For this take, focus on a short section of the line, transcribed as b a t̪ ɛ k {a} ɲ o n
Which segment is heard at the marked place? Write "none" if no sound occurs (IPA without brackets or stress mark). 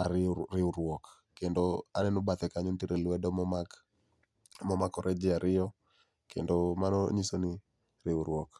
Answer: a